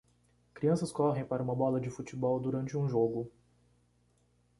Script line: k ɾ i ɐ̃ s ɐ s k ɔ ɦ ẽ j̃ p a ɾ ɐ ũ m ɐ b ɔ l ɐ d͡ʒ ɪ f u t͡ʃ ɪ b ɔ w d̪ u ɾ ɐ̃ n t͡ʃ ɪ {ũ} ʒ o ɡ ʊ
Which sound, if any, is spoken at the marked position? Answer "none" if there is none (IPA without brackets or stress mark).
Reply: ũ